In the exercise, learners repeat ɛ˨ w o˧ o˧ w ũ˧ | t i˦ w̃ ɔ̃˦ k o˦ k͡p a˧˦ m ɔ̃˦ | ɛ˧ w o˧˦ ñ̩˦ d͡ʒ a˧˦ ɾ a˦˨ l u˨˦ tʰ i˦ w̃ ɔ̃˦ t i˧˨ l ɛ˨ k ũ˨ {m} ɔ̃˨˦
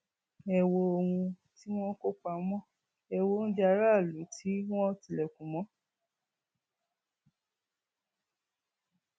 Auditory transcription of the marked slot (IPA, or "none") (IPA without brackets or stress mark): m